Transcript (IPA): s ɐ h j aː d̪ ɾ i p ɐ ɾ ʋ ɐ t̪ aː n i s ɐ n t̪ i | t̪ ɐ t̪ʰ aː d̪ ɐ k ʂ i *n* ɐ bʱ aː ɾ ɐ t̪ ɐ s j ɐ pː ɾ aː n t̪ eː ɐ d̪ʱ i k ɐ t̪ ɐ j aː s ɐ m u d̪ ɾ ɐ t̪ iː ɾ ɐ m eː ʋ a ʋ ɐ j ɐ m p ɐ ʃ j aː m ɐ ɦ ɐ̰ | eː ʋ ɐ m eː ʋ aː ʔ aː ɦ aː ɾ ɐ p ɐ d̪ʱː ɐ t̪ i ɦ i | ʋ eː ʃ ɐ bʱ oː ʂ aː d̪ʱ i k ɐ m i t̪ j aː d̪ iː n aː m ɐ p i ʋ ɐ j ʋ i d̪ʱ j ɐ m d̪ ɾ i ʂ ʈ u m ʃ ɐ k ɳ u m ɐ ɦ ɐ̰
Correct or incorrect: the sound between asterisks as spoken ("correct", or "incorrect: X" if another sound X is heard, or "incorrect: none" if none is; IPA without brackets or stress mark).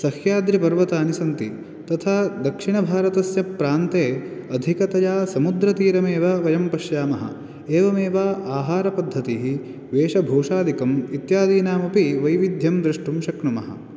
incorrect: ɳ